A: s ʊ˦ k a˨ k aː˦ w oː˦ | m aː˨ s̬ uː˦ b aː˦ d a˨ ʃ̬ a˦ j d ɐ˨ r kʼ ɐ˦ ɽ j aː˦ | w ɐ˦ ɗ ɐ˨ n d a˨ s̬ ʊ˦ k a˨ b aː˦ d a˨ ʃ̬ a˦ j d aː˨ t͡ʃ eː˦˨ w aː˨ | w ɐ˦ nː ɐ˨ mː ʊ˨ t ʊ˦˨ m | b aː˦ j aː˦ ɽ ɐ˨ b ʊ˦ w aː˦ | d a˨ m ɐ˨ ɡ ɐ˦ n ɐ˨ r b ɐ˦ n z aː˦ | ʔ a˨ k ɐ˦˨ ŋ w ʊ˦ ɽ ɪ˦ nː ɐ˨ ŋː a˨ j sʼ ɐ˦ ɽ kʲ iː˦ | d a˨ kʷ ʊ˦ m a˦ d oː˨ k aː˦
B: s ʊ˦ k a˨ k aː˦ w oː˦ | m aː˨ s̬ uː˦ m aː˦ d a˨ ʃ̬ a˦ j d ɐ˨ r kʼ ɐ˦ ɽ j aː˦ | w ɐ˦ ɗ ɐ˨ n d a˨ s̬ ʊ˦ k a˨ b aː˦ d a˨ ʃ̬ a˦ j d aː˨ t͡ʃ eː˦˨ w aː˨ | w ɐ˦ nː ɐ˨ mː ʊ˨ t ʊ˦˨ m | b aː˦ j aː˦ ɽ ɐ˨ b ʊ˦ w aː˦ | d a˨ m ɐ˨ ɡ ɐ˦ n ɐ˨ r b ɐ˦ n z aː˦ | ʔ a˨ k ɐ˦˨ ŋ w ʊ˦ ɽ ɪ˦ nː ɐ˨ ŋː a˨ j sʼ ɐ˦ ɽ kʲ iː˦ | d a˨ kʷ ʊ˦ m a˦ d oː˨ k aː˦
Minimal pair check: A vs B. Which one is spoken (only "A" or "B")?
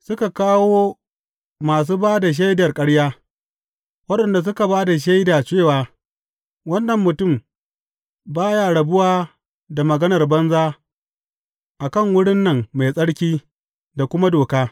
A